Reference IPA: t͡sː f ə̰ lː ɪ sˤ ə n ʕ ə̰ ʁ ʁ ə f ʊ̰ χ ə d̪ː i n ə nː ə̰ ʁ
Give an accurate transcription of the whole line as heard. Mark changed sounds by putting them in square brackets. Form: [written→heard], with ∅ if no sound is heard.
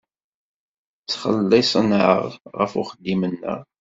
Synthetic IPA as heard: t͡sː [f→χ] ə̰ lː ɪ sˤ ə n ʕ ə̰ ʁ ʁ ə f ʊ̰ χ ə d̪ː i [n→m] ə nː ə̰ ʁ